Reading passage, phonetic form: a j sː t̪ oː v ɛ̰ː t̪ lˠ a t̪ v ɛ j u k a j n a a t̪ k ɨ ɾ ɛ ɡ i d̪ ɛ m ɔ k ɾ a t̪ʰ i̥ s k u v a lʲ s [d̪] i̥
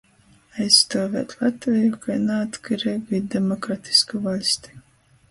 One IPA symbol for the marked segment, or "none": t̪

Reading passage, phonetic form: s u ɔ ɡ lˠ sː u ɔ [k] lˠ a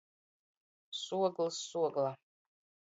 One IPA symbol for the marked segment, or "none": ɡ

